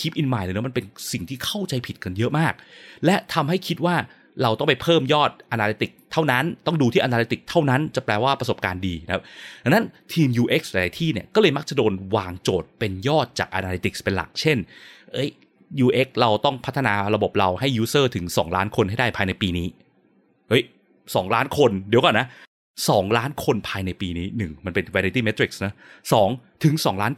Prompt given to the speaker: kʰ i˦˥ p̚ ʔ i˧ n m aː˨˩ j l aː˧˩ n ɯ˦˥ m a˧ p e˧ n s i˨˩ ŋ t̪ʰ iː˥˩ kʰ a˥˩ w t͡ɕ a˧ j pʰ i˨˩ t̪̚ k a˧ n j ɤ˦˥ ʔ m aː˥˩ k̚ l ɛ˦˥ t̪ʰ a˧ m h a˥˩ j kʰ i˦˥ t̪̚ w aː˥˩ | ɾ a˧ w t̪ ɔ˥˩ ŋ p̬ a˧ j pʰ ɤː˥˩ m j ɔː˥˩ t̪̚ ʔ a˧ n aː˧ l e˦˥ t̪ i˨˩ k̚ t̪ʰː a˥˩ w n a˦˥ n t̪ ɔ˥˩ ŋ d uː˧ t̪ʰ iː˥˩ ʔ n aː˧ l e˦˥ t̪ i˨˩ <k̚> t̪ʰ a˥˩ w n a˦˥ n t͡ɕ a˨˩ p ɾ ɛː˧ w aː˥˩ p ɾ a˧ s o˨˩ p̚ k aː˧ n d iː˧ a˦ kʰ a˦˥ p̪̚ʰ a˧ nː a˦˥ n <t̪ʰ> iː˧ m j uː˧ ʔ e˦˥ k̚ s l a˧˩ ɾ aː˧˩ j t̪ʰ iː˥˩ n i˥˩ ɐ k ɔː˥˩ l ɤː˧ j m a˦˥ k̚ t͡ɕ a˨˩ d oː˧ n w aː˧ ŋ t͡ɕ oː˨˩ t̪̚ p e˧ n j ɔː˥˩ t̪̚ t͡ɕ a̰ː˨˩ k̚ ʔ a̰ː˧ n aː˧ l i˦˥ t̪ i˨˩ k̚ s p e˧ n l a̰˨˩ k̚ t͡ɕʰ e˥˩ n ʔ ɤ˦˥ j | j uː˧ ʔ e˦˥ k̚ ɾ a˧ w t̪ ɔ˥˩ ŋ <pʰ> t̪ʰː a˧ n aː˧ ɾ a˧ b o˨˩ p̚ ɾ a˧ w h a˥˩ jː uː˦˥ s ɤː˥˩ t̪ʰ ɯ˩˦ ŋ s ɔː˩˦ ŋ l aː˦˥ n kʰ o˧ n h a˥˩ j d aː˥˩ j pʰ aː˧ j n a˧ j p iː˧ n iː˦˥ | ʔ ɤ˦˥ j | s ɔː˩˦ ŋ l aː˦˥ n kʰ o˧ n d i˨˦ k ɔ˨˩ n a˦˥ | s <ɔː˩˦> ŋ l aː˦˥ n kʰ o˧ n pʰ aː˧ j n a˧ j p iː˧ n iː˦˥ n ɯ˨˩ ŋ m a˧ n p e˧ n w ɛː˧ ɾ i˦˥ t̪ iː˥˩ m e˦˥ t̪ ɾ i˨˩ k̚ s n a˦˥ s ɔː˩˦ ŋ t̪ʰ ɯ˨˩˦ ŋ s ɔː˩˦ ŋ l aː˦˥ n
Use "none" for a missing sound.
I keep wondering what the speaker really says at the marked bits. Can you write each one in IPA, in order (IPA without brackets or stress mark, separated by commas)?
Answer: k̚, t̪ʰ, pʰ, ɔː˩˦